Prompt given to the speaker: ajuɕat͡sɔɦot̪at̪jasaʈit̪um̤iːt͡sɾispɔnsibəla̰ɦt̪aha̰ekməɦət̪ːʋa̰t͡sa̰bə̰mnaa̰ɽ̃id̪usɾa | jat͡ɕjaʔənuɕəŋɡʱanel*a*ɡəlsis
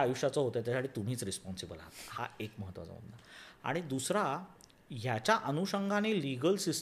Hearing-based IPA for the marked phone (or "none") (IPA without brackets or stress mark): i